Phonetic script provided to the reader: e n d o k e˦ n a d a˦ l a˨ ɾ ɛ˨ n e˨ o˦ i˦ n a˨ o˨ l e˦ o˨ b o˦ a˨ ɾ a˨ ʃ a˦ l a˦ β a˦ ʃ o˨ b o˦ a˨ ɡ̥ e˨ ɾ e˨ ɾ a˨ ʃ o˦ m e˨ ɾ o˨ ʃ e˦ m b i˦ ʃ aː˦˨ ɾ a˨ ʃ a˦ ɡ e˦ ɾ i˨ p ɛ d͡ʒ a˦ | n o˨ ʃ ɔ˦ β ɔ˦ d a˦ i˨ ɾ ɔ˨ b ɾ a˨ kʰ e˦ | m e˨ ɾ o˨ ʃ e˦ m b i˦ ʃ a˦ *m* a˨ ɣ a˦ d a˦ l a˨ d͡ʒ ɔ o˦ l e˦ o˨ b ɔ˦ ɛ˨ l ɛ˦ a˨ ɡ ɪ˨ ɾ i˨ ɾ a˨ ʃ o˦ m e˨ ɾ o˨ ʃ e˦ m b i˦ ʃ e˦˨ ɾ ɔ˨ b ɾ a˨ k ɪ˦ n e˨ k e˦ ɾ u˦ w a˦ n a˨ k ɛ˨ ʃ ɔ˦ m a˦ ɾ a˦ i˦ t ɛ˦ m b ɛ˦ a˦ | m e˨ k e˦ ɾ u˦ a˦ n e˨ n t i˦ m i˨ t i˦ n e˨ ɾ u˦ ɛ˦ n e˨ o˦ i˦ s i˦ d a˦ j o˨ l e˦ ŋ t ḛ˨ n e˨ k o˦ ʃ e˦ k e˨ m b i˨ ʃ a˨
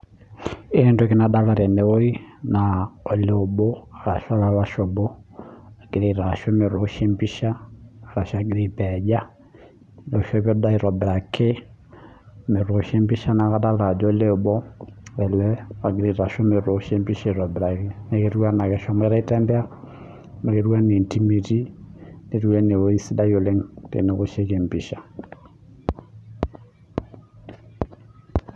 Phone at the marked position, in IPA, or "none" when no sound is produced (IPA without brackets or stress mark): n